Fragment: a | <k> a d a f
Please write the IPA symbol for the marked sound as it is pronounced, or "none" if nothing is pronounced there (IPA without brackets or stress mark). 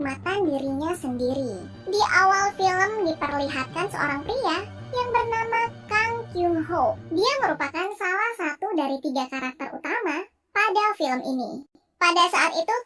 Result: p